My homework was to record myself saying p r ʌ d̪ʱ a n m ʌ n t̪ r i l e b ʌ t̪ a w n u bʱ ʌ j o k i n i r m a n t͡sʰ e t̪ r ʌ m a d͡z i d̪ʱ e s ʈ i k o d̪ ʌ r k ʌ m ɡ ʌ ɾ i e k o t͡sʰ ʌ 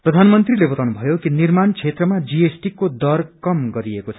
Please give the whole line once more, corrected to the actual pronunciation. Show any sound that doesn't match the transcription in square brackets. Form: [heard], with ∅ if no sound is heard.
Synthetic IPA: p r ʌ d̪ʱ a n m ʌ n t̪ r i l e b ʌ t̪ a w n u bʱ ʌ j o k i n i r m a n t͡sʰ e t̪ r ʌ m a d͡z i [∅] e s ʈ i k o d̪ ʌ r k ʌ m ɡ ʌ ɾ i e k o t͡sʰ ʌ

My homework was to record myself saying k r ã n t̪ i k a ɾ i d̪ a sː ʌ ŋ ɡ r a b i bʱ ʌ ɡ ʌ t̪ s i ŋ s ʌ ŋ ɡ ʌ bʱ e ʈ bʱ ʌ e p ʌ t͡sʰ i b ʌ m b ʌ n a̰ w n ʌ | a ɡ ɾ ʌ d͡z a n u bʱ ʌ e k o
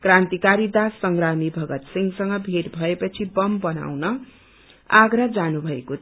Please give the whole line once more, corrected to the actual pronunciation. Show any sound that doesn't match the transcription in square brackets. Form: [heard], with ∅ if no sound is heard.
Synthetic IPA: k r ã n t̪ i k a ɾ i d̪ a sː ʌ ŋ ɡ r a [m] i bʱ ʌ ɡ ʌ t̪ s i ŋ s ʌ ŋ ɡ ʌ bʱ e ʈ bʱ ʌ e p ʌ t͡sʰ i b ʌ m b ʌ n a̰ w n ʌ | a ɡ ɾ ʌ d͡z a n u bʱ ʌ e k o

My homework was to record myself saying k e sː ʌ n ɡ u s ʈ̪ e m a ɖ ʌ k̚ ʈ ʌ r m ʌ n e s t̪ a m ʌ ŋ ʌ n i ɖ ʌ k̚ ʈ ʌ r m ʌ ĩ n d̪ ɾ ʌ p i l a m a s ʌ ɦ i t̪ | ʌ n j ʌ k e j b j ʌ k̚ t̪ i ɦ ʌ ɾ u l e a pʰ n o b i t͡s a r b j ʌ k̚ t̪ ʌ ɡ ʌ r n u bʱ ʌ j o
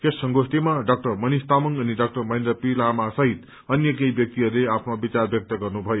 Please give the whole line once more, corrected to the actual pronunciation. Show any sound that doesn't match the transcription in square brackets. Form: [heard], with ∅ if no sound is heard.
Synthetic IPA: k e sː ʌ [ŋ] ɡ [o] s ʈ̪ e m a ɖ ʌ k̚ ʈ ʌ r m ʌ n [i] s t̪ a m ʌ ŋ ʌ n i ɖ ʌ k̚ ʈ ʌ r m ʌ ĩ n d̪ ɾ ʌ p i l a m a s ʌ ɦ i t̪ | ʌ n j ʌ k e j b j ʌ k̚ t̪ i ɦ ʌ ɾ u l e a pʰ n o b i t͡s a r b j ʌ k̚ t̪ ʌ ɡ ʌ r n u bʱ ʌ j o

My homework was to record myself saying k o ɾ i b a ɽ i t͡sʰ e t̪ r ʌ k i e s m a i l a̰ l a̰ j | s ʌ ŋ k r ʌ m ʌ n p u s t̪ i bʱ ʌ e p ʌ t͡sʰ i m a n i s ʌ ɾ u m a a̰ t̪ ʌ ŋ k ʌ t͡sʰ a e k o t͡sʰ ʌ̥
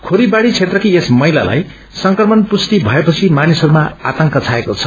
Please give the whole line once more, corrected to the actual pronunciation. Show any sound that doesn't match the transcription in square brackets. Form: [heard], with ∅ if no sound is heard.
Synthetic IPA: [kʰ] o ɾ i b a ɽ i t͡sʰ e t̪ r ʌ k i e s m [ʌ] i l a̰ l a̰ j | s ʌ ŋ k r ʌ m ʌ n p u s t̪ i bʱ ʌ e p ʌ t͡sʰ i m a n i s ʌ ɾ u m a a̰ t̪ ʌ ŋ k ʌ t͡sʰ a e k o t͡sʰ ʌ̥

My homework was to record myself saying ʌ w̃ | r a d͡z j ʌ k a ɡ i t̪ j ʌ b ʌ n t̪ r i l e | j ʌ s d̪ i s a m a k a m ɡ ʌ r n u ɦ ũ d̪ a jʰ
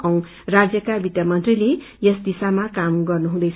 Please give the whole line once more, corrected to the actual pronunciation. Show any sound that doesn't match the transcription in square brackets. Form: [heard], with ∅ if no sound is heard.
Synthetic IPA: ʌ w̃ | r a d͡z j ʌ k a [b] i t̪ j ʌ [m] ʌ n t̪ r i l e | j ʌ s d̪ i s a m a k a m ɡ ʌ r n u ɦ ũ d̪ [ʌ] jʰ

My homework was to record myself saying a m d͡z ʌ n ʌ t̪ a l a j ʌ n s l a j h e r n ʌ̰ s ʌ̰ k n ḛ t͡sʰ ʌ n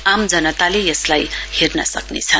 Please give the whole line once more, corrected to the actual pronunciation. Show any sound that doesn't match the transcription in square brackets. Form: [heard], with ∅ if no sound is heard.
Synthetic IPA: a m d͡z ʌ n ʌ t̪ a l [e] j ʌ [∅] s l a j h e r n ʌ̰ s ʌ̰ k n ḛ t͡sʰ ʌ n

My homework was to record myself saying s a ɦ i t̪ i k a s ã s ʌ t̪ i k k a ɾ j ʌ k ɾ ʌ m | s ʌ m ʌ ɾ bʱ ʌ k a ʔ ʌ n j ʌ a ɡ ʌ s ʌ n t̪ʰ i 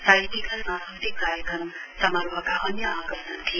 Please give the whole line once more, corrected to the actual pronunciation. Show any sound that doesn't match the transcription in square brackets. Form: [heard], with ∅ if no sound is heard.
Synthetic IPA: s a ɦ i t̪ i k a s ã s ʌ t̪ i k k a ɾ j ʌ k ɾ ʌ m | s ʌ m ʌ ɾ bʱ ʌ k a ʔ ʌ n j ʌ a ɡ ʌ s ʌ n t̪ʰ i

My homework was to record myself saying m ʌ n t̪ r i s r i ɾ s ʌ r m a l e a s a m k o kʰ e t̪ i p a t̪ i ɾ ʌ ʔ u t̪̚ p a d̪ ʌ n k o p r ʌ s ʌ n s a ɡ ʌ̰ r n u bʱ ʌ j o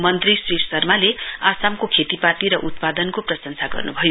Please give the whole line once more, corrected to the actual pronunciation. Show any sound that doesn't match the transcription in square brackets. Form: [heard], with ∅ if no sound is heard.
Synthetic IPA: m ʌ n t̪ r i s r i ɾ s ʌ r m a l e a s a m k o kʰ e t̪ i p a t̪ i ɾ ʌ ʔ u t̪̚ p a d̪ ʌ n k o p r ʌ s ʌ n s a ɡ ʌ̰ r n u bʱ ʌ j o

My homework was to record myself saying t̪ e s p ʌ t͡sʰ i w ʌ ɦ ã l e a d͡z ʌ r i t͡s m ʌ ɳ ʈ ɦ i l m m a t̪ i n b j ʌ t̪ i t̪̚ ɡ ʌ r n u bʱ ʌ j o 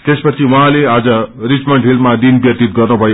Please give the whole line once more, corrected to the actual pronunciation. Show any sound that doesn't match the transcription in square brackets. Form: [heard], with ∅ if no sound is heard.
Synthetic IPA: t̪ e s p ʌ t͡sʰ i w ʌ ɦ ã l e a d͡z ʌ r i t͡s m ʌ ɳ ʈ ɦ i l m m a [d̪] i n b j ʌ t̪ i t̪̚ ɡ ʌ r n u bʱ ʌ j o

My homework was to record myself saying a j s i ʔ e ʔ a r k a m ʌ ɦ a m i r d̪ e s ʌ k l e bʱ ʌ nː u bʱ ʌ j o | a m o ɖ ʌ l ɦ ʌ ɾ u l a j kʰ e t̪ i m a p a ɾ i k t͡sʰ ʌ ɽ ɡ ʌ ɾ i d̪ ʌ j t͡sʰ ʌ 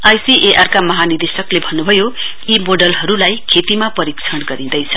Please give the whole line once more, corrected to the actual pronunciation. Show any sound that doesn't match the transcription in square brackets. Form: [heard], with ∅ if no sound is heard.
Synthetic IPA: a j s i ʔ e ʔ a r k a m ʌ ɦ a [n] i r d̪ e s ʌ k l e bʱ ʌ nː u bʱ ʌ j o | [i] m o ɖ ʌ l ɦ ʌ ɾ u l a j kʰ e t̪ i m a p [ʌ] ɾ i k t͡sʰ ʌ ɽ ɡ ʌ ɾ i d̪ ʌ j t͡sʰ ʌ

